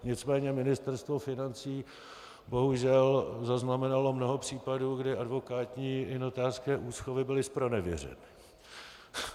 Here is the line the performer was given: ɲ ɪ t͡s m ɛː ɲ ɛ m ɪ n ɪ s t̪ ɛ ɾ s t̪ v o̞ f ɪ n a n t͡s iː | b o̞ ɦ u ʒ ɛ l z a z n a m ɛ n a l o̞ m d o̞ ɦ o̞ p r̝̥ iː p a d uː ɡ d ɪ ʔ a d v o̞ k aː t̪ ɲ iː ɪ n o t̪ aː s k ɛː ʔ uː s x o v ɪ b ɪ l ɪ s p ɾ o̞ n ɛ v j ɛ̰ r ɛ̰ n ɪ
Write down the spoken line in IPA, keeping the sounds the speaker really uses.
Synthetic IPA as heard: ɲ ɪ t͡s m ɛː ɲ ɛ m ɪ n ɪ s t̪ ɛ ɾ s t̪ v o̞ f ɪ n a n t͡s iː | b o̞ ɦ u ʒ ɛ l z a z n a m ɛ n a l o̞ m n o̞ ɦ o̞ p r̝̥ iː p a d uː ɡ d ɪ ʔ a d v o̞ k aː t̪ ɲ iː ɪ n o t̪ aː s k ɛː ʔ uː s x o v ɪ b ɪ l ɪ s p ɾ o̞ n ɛ v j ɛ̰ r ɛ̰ n ɪ